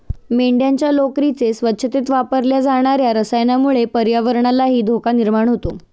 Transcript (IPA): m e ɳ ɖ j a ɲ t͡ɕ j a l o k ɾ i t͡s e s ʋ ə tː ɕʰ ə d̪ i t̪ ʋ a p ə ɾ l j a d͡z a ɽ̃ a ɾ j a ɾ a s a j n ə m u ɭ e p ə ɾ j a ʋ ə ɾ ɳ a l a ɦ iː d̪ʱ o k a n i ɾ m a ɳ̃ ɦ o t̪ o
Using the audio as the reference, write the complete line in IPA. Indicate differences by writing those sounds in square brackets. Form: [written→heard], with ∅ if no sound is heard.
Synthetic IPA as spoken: m e ɳ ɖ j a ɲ t͡ɕ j a l o k ɾ i t͡s e s ʋ ə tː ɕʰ ə [d̪→t̪] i t̪ ʋ a p ə ɾ l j a d͡z a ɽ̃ a ɾ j a ɾ [a→ə] s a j n [ə→a] m u ɭ e p ə ɾ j a ʋ ə ɾ ɳ a l a ɦ iː d̪ʱ o k a n i ɾ m a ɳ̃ ɦ o t̪ o